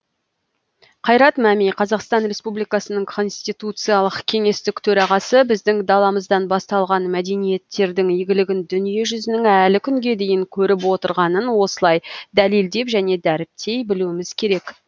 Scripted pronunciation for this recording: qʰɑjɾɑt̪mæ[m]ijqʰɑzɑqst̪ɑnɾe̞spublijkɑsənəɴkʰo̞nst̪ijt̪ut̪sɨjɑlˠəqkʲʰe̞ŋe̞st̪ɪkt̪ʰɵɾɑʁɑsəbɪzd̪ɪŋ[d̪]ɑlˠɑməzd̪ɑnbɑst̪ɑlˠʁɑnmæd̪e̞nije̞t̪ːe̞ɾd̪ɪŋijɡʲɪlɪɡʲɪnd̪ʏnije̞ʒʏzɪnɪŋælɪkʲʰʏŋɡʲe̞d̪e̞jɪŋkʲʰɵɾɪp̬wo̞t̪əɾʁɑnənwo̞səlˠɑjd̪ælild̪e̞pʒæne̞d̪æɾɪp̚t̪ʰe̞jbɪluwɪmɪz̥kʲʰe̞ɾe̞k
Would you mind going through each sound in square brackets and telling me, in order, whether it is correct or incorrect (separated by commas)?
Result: correct, correct